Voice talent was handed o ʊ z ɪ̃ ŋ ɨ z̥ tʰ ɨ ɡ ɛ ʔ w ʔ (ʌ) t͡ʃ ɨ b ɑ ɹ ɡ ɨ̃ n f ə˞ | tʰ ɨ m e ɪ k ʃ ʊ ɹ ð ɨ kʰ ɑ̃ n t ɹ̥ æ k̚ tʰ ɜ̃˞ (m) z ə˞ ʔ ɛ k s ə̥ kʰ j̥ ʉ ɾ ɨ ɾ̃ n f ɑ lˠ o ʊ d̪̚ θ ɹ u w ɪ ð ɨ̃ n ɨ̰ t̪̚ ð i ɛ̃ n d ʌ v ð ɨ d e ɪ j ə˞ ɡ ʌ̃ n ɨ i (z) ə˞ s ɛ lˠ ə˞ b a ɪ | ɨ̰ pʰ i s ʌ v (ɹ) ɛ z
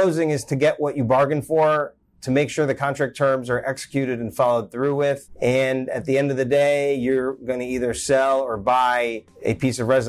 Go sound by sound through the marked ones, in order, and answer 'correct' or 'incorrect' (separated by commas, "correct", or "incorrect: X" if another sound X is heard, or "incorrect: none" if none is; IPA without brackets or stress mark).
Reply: correct, correct, incorrect: ð, correct